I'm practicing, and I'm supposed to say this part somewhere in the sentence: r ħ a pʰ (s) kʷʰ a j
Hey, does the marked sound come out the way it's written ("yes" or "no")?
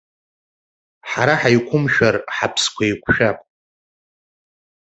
yes